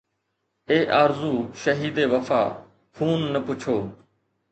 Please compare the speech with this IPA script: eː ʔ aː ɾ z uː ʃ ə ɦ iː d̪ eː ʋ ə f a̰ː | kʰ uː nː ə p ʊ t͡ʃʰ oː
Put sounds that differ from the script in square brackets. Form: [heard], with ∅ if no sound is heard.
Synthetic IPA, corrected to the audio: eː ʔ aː ɾ z uː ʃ ə ɦ iː d̪ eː ʋ ə f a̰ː | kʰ uː nː ə p ʊ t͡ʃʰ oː